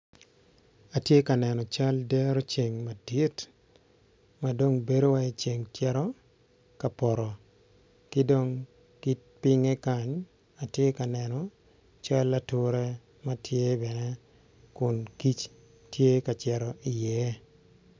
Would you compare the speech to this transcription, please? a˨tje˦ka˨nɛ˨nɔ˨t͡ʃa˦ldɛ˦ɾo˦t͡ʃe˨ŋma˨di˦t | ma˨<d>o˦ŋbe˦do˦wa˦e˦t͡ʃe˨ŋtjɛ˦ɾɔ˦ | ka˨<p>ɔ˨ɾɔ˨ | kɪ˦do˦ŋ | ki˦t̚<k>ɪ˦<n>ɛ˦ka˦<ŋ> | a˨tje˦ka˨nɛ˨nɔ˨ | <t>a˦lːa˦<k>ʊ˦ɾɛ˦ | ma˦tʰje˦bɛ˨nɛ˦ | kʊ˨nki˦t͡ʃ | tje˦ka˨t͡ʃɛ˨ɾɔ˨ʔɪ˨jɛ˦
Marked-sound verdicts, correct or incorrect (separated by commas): correct, correct, incorrect, incorrect, incorrect, incorrect, incorrect